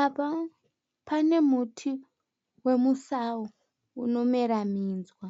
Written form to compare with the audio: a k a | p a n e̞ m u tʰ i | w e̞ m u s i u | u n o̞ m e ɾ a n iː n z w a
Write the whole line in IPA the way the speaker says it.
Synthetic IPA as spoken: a p a | p a n e̞ m u tʰ i | w e̞ m u s a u | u n o̞ m e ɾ a m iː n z w a